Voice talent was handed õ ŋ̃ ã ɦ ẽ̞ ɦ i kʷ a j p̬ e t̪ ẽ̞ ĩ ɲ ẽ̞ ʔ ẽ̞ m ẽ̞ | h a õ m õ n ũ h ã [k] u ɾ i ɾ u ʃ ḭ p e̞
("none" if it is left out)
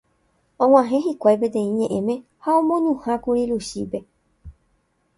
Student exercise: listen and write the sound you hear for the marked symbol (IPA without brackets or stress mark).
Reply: k